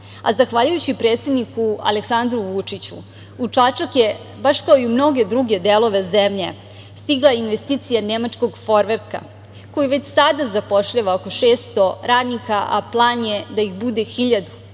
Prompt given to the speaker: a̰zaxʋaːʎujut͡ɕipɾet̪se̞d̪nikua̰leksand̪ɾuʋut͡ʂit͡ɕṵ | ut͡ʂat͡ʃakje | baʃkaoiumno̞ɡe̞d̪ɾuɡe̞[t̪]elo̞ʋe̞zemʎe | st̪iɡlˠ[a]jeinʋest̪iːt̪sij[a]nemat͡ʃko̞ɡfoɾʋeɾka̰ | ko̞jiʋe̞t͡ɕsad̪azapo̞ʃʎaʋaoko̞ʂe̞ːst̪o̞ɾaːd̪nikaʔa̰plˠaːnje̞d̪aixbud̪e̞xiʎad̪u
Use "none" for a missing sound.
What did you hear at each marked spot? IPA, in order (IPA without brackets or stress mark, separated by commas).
d̪, a, a